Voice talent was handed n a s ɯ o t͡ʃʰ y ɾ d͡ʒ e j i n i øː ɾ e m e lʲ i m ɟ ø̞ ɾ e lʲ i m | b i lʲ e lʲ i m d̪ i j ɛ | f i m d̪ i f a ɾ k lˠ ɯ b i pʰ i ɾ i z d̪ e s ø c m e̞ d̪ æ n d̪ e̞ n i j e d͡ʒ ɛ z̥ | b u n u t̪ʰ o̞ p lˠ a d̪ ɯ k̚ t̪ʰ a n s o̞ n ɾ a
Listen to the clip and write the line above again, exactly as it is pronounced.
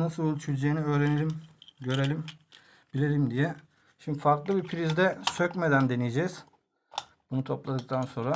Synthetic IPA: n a s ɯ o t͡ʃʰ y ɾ d͡ʒ e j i n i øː ɾ e n e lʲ i m ɟ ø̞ ɾ e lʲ i m | b i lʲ e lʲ i m d̪ i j ɛ | ʃ i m d̪ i f a ɾ k lˠ ɯ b i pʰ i ɾ i z d̪ ɛ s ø c m e̞ d̪ æ n d̪ e̞ n i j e d͡ʒ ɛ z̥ | b u n u t̪ʰ o̞ p lˠ a d̪ ɯ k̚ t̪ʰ a n s o̞ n ɾ a